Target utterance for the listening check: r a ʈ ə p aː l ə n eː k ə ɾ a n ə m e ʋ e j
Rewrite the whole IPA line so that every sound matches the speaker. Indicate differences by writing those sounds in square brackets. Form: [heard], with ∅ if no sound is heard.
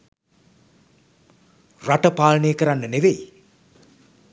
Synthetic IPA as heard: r a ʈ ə p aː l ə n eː k ə ɾ a [nː] ə [n] e ʋ e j